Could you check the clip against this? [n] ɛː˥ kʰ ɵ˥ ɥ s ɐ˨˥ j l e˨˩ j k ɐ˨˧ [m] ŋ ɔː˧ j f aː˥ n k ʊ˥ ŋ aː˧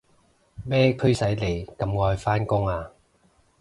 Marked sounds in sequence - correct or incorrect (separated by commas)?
incorrect, correct